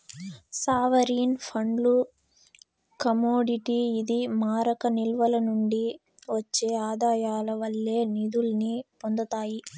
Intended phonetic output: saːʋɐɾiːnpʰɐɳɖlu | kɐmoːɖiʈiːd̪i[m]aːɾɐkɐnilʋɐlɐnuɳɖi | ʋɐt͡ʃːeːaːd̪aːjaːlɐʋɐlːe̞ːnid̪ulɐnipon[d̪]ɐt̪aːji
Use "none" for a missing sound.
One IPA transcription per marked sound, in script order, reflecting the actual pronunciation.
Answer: m, d̪

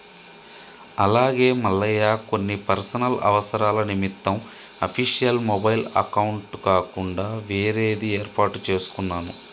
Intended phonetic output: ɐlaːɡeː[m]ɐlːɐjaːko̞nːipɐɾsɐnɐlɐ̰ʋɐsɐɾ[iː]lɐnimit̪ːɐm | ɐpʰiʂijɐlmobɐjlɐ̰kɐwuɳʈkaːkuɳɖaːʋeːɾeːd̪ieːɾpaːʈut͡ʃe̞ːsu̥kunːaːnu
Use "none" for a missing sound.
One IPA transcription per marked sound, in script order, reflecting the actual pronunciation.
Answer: m, aː

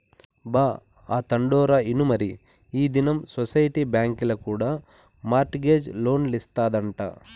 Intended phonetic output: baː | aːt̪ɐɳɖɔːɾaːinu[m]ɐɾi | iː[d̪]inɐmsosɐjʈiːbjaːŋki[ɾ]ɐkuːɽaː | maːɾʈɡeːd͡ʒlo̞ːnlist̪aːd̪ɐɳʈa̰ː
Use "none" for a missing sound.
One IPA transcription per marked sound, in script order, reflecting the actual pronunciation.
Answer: m, d̪, l

